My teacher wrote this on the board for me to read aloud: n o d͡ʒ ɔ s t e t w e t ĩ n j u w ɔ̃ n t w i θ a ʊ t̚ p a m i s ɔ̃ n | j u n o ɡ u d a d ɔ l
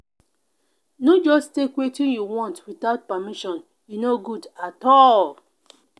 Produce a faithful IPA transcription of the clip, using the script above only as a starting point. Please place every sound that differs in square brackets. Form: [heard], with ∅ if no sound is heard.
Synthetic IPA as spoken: n o d͡ʒ ɔ s t e [k] w e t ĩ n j u w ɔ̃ n t w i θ a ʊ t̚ p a m i [ʃ] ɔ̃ n | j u n o ɡ u d a [t] ɔ l